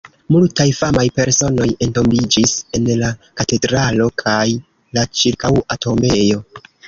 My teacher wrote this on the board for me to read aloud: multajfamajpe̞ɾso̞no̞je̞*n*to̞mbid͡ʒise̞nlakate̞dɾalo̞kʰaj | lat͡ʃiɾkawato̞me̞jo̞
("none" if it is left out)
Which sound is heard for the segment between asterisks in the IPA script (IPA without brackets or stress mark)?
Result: n